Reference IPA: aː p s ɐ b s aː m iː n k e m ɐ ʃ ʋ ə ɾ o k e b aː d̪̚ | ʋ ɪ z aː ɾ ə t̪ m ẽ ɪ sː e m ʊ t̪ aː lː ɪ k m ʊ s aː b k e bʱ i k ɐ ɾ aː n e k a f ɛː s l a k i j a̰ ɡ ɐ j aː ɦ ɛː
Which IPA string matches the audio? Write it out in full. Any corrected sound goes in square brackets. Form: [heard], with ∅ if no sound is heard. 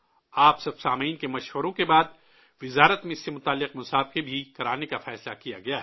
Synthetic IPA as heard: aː p s ɐ b s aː m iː n k e m ɐ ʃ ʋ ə ɾ [õ] k e b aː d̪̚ | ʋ ɪ z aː ɾ ə t̪ m ẽ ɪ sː e m ʊ t̪ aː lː ɪ [q] m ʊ s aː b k e bʱ i k ɐ ɾ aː n e k a f ɛː s l a k i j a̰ ɡ ɐ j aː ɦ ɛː